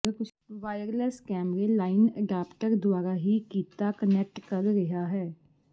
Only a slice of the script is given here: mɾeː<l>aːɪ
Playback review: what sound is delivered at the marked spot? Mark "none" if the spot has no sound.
l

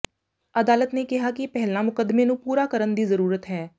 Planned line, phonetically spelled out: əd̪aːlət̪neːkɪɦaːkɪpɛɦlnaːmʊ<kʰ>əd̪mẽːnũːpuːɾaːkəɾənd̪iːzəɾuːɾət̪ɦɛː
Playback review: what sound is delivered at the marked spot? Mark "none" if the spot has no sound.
k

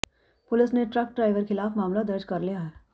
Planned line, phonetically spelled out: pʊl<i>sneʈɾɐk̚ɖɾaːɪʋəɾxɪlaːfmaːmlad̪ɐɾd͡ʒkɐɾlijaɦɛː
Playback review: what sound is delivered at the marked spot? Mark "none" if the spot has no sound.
ɪ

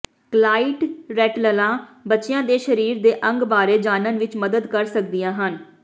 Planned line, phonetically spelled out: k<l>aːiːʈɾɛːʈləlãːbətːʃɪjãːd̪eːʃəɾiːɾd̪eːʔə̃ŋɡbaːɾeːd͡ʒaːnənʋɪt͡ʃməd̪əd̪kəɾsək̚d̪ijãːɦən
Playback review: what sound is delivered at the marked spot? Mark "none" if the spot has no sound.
l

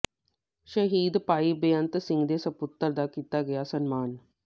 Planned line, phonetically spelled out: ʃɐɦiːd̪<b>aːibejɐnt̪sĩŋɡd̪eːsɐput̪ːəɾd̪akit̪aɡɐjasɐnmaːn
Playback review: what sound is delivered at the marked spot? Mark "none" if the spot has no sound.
p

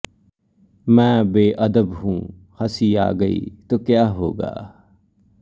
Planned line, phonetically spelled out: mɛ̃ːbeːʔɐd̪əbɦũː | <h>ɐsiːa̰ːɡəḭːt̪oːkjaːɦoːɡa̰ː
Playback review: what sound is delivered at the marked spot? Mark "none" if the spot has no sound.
h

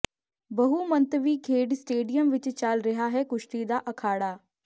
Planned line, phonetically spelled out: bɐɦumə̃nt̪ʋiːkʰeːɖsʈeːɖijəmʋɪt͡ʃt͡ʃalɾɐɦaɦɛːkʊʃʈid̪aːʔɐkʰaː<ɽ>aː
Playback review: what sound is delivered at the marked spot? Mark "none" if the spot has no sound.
ɽ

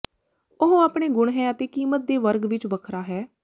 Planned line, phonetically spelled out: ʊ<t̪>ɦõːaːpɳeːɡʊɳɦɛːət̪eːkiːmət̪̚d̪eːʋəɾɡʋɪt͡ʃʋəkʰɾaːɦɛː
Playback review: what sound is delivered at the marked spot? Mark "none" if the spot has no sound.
none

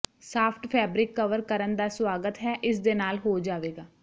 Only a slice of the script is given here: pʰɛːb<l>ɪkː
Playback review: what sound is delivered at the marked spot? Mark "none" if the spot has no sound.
ɾ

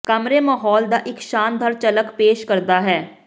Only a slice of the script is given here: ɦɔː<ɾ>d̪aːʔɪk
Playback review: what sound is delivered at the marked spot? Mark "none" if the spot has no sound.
l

